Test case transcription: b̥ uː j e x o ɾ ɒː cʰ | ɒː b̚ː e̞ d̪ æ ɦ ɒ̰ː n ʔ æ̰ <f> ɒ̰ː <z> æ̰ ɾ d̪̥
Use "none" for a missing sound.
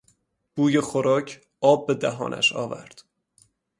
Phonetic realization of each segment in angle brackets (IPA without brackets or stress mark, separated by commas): ʃ, v